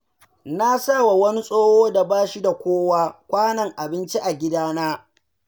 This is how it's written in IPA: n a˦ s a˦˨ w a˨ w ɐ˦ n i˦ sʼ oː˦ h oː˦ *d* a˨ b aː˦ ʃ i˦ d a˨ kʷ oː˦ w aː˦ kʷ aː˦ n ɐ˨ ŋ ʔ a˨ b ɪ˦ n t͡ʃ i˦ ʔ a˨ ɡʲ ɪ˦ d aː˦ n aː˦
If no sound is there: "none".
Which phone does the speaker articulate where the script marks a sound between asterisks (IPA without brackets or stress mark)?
d